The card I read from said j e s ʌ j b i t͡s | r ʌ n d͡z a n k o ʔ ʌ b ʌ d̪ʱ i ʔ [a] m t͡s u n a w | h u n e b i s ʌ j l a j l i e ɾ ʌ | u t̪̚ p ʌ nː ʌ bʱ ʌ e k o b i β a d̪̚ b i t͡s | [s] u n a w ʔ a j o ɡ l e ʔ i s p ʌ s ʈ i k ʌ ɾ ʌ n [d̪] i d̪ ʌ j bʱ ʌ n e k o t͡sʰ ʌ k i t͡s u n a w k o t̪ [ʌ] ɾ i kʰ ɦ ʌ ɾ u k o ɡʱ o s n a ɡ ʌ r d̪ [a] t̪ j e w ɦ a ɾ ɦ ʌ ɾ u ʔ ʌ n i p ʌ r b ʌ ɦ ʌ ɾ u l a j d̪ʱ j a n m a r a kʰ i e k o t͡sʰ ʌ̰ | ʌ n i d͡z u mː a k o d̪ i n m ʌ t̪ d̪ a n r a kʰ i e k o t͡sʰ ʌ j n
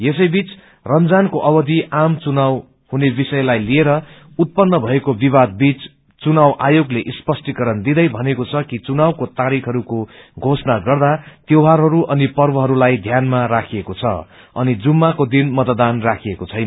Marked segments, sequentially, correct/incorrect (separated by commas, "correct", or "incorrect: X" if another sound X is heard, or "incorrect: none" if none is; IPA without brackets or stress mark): correct, incorrect: t͡s, correct, incorrect: a, correct